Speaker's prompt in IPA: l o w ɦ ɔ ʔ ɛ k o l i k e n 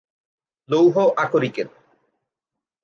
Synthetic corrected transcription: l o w ɦ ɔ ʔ a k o ɾ i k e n